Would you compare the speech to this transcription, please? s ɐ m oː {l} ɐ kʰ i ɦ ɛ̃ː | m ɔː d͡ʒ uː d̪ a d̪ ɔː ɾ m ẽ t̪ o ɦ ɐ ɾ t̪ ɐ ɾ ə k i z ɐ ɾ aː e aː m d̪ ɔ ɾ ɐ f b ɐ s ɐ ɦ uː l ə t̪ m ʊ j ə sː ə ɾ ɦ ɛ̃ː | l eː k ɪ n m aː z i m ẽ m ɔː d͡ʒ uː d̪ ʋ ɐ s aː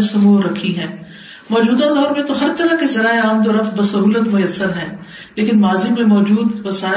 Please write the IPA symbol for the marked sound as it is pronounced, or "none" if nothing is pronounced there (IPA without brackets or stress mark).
ɾ